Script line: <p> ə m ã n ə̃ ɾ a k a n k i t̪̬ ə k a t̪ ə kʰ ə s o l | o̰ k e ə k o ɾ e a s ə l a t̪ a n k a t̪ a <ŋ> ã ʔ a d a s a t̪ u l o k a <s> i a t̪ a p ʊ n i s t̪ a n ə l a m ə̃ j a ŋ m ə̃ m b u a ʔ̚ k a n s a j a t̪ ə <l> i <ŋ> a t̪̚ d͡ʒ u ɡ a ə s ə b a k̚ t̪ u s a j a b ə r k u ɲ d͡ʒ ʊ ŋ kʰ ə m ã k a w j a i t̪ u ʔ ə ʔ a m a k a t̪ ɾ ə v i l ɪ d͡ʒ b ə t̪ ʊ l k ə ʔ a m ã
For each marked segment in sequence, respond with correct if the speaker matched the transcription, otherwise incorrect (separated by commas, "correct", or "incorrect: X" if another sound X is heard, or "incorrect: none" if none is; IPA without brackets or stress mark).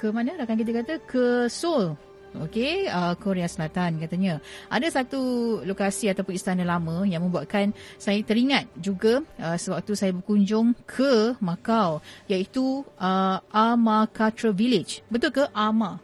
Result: incorrect: k, incorrect: ɲ, correct, incorrect: ɾ, correct